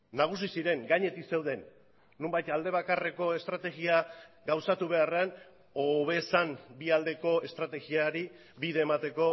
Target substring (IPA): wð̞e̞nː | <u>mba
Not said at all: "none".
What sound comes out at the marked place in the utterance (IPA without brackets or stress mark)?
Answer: u